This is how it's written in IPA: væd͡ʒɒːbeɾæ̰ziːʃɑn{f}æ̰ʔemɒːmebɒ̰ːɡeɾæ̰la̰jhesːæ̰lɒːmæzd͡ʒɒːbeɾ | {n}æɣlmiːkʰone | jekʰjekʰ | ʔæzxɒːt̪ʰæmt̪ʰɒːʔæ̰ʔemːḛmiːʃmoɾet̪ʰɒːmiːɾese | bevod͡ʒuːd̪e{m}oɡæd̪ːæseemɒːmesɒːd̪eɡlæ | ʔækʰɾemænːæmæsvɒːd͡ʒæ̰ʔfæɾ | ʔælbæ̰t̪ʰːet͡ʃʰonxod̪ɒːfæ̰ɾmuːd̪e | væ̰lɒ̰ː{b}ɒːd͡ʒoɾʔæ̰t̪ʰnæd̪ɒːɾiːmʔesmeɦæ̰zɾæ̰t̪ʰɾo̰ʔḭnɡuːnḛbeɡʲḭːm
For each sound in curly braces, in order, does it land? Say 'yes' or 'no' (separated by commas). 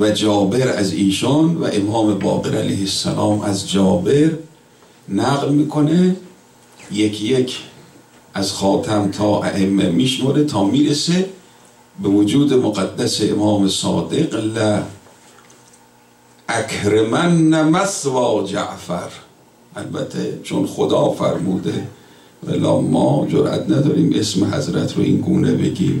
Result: no, yes, yes, no